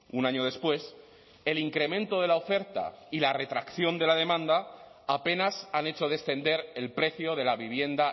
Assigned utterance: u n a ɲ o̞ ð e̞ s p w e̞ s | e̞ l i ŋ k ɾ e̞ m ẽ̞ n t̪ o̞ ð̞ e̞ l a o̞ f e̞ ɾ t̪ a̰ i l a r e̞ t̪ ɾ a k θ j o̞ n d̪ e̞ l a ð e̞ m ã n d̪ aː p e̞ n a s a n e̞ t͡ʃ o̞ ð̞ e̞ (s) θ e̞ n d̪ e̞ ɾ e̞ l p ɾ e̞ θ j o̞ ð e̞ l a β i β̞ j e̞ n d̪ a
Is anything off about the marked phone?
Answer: no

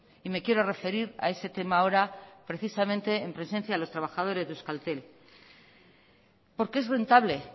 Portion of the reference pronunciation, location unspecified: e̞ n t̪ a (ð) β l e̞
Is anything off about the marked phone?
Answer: yes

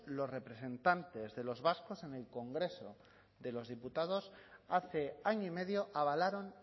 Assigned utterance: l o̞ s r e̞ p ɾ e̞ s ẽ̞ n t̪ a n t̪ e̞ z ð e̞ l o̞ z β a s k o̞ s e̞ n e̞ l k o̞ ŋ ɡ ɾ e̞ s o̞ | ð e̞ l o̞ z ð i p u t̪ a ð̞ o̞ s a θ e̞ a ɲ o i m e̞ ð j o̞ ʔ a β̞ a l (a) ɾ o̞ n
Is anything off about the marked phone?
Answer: no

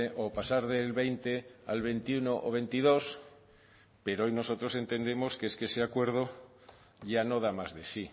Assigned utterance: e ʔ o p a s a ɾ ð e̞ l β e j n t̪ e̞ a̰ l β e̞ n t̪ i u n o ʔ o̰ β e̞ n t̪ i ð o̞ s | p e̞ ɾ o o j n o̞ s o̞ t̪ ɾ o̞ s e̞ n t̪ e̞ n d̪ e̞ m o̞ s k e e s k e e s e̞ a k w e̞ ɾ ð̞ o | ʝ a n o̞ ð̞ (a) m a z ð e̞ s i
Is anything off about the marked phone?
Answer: no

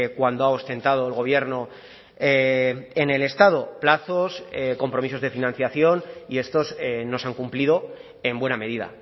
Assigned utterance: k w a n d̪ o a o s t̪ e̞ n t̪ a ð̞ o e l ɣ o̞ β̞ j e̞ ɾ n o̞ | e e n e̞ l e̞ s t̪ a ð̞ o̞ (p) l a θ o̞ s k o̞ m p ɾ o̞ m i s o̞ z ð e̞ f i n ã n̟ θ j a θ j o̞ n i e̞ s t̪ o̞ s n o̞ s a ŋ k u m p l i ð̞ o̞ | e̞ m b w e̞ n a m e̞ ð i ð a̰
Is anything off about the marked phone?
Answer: no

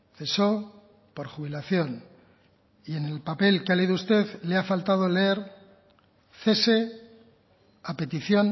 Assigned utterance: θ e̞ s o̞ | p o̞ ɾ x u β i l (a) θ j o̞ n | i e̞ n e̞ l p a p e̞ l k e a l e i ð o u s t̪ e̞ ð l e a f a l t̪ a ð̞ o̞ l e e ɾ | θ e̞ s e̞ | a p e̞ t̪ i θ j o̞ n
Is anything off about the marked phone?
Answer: no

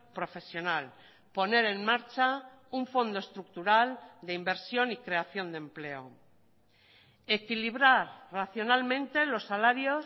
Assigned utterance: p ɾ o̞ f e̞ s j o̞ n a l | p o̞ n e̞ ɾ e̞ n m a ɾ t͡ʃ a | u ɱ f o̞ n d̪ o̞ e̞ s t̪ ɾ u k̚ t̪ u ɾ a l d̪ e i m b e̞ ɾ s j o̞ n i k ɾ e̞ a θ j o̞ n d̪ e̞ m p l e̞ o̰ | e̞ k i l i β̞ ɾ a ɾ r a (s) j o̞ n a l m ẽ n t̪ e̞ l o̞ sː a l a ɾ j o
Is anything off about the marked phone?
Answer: yes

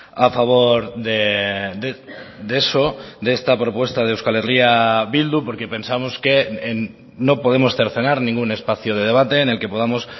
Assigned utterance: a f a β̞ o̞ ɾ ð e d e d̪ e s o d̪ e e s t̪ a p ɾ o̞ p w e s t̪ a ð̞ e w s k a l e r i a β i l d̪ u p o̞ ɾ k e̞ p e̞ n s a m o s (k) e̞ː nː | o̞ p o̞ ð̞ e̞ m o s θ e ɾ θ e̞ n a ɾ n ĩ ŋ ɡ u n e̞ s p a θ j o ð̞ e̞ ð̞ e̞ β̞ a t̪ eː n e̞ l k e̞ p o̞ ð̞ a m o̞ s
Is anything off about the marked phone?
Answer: no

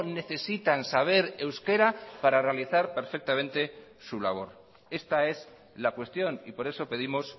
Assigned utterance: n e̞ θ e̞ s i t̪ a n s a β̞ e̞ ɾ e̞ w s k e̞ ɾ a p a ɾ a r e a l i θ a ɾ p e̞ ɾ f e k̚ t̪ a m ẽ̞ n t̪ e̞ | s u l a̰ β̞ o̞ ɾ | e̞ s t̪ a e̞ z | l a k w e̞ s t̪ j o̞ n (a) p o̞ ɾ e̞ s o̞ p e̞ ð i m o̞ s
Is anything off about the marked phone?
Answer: yes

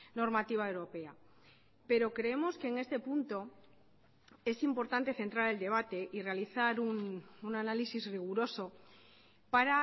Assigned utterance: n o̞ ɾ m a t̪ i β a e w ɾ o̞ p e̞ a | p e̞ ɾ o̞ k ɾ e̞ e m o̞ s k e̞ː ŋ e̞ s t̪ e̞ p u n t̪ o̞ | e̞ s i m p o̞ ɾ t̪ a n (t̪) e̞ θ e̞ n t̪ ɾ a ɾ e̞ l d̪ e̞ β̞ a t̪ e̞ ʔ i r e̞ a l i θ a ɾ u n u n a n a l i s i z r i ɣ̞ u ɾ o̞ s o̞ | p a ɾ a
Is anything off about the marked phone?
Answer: no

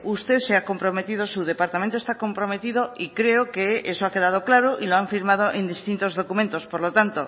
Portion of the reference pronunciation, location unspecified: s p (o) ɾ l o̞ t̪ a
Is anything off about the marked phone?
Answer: no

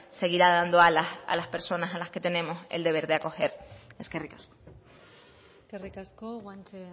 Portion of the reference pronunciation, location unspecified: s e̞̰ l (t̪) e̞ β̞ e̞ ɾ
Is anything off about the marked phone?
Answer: yes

